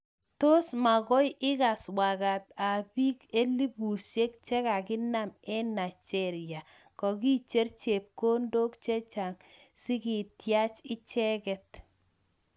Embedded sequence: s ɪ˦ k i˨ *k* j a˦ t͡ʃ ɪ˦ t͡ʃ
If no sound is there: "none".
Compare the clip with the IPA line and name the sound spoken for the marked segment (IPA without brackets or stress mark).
t